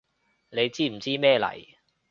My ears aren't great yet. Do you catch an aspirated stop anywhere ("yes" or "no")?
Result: no